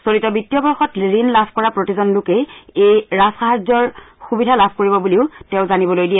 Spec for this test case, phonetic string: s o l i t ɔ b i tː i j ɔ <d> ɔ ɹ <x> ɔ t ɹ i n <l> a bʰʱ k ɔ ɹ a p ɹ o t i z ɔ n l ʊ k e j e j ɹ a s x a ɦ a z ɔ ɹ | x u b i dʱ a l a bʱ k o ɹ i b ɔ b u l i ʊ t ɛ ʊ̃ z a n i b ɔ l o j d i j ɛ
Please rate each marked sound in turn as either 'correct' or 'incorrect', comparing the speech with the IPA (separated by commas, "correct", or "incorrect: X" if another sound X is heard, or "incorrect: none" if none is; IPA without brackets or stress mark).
incorrect: b, correct, correct